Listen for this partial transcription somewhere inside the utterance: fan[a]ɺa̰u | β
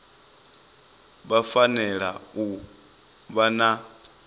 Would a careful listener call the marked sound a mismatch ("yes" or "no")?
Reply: yes